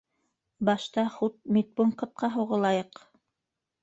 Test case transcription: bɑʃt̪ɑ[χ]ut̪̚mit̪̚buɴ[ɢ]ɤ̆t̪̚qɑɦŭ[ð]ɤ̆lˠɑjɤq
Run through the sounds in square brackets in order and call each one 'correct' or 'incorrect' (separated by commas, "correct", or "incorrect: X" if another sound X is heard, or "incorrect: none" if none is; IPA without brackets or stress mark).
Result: correct, incorrect: q, incorrect: ʁ